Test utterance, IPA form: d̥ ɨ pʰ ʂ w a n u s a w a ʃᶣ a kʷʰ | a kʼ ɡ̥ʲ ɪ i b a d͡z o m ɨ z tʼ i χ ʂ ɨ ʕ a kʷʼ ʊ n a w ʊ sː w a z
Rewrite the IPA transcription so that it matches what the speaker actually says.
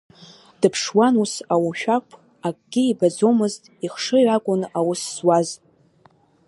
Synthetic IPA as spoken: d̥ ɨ pʰ ʂ w a n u s a w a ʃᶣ a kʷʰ | a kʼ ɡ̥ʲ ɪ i b a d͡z o m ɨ z tʼ i χ ʂ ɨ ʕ a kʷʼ ʊ n a w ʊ sː w a z